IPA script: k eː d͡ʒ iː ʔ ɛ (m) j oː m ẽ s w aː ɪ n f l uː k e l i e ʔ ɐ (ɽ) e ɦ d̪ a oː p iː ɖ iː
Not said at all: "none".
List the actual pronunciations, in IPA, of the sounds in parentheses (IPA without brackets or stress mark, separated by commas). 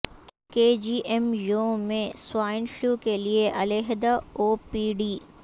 m, l